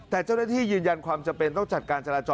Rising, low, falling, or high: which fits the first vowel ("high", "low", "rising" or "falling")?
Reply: low